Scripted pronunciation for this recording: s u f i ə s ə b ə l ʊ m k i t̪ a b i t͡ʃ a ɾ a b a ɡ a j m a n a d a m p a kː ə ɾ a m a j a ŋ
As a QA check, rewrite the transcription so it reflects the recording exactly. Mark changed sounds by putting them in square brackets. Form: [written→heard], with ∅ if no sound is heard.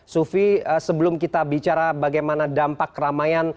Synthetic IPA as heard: s u f i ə s ə b ə l ʊ m k i t̪ a b i t͡ʃ a ɾ a b a ɡ a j m a n a d a m p a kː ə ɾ a m a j a [ŋ→n]

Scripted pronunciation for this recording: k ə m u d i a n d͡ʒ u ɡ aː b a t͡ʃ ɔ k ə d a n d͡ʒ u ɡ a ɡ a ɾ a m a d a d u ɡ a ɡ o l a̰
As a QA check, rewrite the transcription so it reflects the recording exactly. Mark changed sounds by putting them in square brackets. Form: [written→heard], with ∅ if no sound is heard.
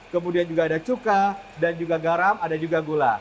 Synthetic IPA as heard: k ə m u d i a n d͡ʒ u ɡ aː [b→d] a t͡ʃ [ɔ→u] k [ə→a] d a n d͡ʒ u ɡ a ɡ a ɾ a m a d a [d→d͡ʒ] u ɡ a ɡ o l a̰

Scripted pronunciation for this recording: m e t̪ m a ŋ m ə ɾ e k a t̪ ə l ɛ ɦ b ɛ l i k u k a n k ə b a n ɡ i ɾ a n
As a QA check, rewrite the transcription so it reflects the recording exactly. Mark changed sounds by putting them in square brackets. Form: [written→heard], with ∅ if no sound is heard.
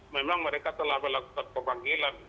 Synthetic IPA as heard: m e [t̪→∅] m a ŋ m ə ɾ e k a t̪ ə l [ɛ→a] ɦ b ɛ l [i→a] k u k a n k ə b a [n→ŋ] ɡ i [ɾ→l] a n

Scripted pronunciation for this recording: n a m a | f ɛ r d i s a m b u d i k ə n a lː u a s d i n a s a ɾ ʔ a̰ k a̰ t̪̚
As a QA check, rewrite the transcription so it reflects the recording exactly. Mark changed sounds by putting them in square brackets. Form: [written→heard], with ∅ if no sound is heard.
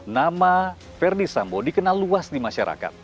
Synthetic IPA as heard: n a m a | f ɛ r d i s a m b [u→o] d i k ə n a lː u a s d i [n→m] a [s→ʃ] a ɾ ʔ a̰ k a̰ t̪̚

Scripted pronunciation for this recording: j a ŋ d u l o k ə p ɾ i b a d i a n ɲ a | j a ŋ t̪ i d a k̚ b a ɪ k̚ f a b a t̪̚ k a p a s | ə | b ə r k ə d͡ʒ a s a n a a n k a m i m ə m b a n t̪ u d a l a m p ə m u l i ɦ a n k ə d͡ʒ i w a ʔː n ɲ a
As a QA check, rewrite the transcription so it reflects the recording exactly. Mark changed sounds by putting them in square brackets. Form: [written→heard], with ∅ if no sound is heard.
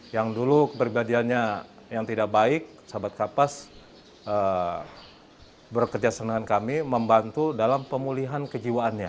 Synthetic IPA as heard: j a ŋ d u l [o→u] k ə p ɾ i b a d i a n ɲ a | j a ŋ t̪ i d a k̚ b a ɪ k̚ [f→s] a b a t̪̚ k a p a s | ə | b ə r k ə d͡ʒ a s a n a a n k a m i m ə m b a n t̪ u d a l a m p ə m u l i ɦ a n k ə d͡ʒ i w a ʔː n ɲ a

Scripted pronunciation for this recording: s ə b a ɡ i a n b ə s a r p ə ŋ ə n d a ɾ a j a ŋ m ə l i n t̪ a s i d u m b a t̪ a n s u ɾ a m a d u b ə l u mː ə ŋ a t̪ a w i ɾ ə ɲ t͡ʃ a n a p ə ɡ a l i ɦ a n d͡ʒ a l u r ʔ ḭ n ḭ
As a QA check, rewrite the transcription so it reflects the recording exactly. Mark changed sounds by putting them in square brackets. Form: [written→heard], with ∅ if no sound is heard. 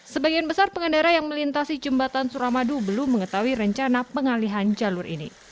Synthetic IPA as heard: s ə b a ɡ i a n b ə s a r p ə ŋ ə n d a ɾ a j a ŋ m ə l i n t̪ a s i [d→d͡ʒ] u m b a t̪ a n s u ɾ a m a d u b ə l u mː ə ŋ [a→ə] t̪ a w i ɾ ə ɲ t͡ʃ a n a p ə [ɡ→ŋ] a l i ɦ a n d͡ʒ a l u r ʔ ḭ n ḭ

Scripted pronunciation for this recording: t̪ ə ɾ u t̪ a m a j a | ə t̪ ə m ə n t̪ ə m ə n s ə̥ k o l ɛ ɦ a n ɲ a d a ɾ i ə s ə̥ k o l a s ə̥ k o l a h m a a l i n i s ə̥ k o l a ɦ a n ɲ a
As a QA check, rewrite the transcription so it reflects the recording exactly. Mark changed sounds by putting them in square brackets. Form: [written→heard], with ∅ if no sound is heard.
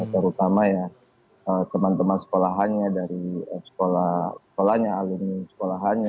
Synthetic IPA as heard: t̪ ə ɾ u t̪ a m a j a | ə t̪ ə m [ə→a] n t̪ ə m [ə→a] n s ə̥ k o l [ɛ→a] ɦ a n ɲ a d a ɾ i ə s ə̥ k o l a s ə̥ k o l a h [m→ɲ] a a l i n i s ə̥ k o l a ɦ a n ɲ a

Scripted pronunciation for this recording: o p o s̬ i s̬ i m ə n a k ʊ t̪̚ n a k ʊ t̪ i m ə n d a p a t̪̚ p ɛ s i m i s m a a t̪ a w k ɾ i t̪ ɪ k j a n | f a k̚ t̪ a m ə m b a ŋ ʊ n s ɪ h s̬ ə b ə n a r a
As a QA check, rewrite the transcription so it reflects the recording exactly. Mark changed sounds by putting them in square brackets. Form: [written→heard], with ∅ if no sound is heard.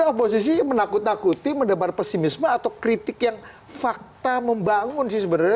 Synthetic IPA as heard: o p o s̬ i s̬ i m ə n a k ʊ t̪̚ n a k [ʊ→u] t̪ i m ə n d a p a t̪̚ p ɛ s i m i s m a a t̪ a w k ɾ i t̪ ɪ k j a [n→ŋ] | f a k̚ t̪ a m ə m b a ŋ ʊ n s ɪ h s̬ ə b ə n a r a

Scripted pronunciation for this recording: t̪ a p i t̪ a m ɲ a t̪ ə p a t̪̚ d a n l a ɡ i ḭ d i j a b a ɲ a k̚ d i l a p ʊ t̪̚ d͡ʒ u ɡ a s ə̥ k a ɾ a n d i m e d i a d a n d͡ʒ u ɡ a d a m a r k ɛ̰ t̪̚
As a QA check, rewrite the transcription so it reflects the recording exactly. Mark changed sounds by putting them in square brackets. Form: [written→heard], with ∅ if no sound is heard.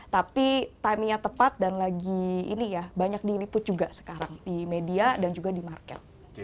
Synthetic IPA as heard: t̪ a p i t̪ a m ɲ a t̪ ə p a t̪̚ d a n l a ɡ i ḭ [d→n] i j a b a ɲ a k̚ d i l [a→i] p ʊ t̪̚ d͡ʒ u ɡ a s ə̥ k a ɾ a [n→ŋ] d i m e d i a d a n d͡ʒ u ɡ a d [a→i] m a r k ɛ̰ t̪̚

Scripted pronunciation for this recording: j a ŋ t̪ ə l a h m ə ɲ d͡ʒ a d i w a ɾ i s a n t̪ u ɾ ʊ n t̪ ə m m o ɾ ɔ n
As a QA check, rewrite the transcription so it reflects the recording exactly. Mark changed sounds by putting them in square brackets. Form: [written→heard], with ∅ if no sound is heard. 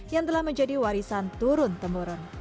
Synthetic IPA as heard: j a ŋ t̪ ə l a h m ə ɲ d͡ʒ a d i w a ɾ i s a n t̪ u ɾ ʊ n t̪ ə m [m→b] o ɾ ɔ n

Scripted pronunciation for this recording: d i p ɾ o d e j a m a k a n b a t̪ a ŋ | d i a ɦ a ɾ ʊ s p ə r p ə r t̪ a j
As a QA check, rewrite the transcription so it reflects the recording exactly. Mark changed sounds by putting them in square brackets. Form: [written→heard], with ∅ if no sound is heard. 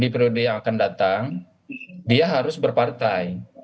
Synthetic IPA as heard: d i p ɾ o d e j a [m→ŋ] a k a n [b→d] a t̪ a ŋ | d i a ɦ a ɾ ʊ s [p→b] ə r p [ə→a] r t̪ a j

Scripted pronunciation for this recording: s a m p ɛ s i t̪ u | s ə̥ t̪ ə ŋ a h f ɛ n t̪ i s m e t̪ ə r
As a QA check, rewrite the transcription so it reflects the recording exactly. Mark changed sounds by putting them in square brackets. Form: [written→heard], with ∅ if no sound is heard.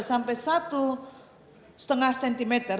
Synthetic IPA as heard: s a m p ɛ s [i→a] t̪ u | s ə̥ t̪ ə ŋ a h [f→s] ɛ n t̪ i [s→∅] m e t̪ ə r

